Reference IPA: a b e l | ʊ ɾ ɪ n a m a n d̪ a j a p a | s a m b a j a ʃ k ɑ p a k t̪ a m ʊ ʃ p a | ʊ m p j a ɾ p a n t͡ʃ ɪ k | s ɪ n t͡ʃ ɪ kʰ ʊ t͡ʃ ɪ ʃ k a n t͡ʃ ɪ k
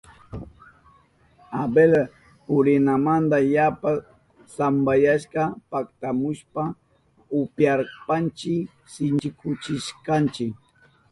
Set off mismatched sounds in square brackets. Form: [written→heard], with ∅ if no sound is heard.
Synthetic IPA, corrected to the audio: a b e l | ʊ ɾ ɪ n a m a n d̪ a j a p a | s a m b a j a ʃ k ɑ p a k t̪ a m ʊ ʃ p a | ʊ [m→∅] p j a ɾ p a n t͡ʃ ɪ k | s ɪ n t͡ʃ ɪ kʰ ʊ t͡ʃ ɪ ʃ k a n t͡ʃ ɪ k